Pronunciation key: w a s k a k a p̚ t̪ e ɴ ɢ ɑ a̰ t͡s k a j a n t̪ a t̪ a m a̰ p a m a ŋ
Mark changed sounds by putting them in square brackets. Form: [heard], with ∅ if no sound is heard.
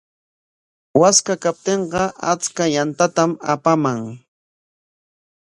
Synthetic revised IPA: w a s k a k a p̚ t̪ e ɴ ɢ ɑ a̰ t͡s k a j a n t̪ a t̪ a m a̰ p a m a ŋ

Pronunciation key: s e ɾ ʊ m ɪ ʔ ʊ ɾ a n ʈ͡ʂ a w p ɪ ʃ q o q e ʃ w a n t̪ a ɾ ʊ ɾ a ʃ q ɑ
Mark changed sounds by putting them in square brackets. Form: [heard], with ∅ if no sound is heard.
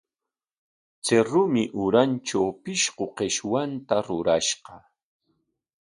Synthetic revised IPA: [t͡s] e ɾ ʊ m ɪ ʔ ʊ ɾ a n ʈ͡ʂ a w p ɪ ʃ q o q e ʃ w a n t̪ a ɾ ʊ ɾ a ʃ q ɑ

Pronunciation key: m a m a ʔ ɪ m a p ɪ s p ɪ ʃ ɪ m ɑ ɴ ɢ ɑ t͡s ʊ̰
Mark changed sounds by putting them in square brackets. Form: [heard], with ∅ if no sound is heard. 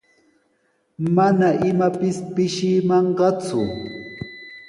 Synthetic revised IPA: m a [n] a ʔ ɪ m a p ɪ s p ɪ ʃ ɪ m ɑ ɴ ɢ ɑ t͡s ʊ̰

